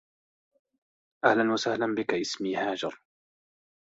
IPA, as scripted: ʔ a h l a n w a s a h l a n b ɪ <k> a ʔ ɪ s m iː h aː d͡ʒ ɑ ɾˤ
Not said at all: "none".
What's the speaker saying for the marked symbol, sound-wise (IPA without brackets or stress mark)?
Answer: k